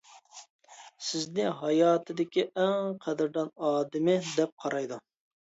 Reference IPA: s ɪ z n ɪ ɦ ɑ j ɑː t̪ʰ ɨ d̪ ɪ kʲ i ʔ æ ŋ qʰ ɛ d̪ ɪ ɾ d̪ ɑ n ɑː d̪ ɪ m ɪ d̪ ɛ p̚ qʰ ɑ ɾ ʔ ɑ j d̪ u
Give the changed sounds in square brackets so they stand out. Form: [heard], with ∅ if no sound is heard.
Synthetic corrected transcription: s ɪ z n ɪ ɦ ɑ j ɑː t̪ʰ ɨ d̪ ɪ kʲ i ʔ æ ŋ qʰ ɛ d̪ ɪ ɾ d̪ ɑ n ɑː d̪ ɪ m ɪ d̪ ɛ p̚ qʰ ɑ ɾ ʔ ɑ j d̪ u